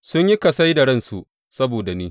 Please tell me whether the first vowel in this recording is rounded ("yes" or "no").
yes